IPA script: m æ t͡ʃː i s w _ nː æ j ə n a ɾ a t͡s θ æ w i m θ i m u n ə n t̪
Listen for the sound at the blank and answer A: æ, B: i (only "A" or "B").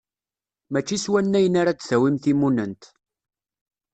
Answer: A